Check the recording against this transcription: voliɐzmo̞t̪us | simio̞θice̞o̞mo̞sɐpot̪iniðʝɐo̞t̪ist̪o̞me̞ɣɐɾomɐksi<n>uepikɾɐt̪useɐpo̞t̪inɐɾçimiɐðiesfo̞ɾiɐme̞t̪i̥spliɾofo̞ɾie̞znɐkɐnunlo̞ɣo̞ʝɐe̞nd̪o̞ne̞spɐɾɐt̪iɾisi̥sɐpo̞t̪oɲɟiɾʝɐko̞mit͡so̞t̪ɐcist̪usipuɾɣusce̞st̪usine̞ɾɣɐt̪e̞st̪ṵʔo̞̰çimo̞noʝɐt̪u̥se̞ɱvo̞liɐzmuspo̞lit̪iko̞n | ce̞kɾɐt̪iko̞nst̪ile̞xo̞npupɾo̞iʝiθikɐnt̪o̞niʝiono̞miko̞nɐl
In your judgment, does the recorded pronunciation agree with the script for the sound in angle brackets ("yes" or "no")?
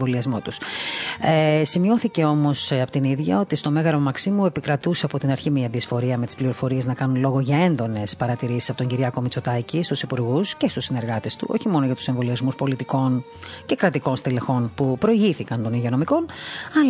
no